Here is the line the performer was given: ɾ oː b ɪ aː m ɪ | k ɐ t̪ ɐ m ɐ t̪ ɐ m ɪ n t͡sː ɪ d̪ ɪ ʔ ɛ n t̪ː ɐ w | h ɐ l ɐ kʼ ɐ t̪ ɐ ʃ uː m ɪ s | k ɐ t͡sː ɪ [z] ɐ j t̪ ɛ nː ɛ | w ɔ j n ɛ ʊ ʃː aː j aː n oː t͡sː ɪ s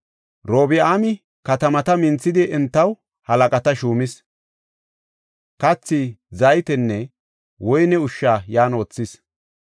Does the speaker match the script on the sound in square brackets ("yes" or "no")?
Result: yes